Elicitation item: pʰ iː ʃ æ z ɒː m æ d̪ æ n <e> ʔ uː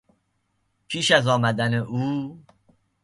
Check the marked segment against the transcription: correct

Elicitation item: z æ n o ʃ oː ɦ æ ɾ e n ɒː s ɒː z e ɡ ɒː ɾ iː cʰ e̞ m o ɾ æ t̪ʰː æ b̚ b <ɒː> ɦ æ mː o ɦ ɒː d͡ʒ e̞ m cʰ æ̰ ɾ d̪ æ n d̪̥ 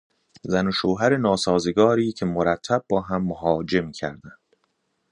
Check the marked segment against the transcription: correct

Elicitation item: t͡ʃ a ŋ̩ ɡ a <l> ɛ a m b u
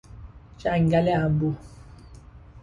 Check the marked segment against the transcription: correct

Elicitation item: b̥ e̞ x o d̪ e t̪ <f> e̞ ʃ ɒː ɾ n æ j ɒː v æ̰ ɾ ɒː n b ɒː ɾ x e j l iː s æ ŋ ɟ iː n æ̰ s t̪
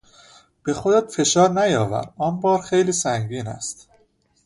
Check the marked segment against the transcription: correct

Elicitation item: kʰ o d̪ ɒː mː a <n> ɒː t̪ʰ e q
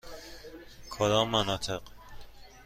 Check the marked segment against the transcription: correct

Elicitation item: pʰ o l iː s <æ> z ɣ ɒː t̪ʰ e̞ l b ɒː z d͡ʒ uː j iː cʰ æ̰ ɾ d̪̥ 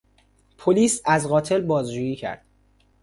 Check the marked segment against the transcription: correct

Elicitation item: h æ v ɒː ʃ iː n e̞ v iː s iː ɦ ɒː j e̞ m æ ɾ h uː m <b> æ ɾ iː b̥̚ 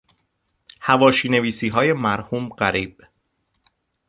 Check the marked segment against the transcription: incorrect: ɢ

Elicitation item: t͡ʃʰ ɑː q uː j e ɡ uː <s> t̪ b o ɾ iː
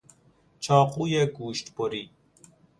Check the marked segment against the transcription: incorrect: ʃ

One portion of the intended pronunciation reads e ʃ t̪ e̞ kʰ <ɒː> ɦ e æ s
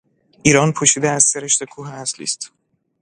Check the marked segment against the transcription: incorrect: uː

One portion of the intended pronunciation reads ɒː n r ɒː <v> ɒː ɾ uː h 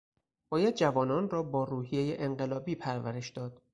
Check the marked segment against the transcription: incorrect: b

